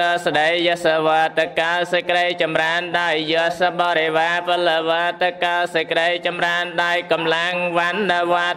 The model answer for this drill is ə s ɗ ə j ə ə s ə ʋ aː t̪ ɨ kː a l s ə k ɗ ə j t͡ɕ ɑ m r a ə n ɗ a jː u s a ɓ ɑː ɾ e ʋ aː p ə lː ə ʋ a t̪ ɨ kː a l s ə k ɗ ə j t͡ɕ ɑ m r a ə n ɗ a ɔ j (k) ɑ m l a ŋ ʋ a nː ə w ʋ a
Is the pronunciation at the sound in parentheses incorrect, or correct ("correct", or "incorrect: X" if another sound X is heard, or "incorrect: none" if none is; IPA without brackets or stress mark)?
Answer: correct